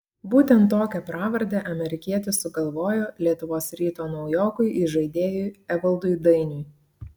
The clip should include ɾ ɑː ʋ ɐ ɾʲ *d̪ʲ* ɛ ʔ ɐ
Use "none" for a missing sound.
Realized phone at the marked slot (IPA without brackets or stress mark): d̪ʲ